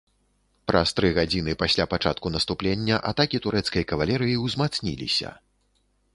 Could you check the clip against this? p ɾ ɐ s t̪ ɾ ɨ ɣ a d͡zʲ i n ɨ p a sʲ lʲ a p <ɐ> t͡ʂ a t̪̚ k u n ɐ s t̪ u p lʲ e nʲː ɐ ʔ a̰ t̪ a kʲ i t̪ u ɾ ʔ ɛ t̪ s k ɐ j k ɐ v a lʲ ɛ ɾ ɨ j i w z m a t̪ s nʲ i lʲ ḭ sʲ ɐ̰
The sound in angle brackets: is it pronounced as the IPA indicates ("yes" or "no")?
no